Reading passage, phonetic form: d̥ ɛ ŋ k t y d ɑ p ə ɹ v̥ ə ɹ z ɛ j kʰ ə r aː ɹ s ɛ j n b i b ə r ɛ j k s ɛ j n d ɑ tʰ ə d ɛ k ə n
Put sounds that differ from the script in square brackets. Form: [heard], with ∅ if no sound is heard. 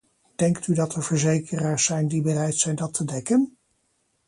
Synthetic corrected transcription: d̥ ɛ ŋ k t y d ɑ [t] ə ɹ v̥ ə ɹ z [e] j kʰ ə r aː ɹ s ɛ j n [d] i b ə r ɛ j [t] s ɛ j n d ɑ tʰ ə d ɛ k ə n